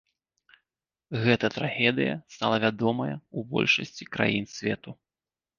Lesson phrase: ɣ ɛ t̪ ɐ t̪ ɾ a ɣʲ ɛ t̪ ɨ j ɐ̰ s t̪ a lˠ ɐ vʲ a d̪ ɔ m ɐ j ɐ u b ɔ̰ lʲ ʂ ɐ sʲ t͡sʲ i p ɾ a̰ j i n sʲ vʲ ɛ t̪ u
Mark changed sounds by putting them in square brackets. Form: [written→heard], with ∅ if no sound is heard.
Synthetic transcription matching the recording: ɣ ɛ t̪ ɐ t̪ ɾ a ɣʲ ɛ [t̪→d̪] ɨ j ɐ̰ s t̪ a lˠ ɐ vʲ a d̪ ɔ m ɐ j ɐ u b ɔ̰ lʲ ʂ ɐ sʲ t͡sʲ i [p→k] ɾ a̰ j i n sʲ vʲ ɛ t̪ u